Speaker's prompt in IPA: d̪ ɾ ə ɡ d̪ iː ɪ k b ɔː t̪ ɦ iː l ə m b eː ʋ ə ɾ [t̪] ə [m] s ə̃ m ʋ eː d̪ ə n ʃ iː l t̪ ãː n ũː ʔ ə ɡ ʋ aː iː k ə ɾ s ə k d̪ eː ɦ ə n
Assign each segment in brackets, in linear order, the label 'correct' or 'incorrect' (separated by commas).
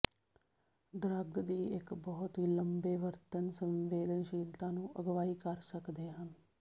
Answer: correct, incorrect